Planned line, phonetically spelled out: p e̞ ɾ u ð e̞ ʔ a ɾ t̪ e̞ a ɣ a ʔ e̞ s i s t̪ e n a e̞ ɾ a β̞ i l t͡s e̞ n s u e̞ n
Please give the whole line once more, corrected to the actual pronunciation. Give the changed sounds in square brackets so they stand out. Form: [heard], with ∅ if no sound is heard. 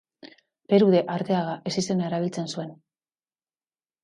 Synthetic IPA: p e̞ ɾ u ð e̞ ʔ a ɾ t̪ e̞ a ɣ a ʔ e̞ s i s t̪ e n a e̞ ɾ a β̞ i l t͡s e̞ n s u e̞ n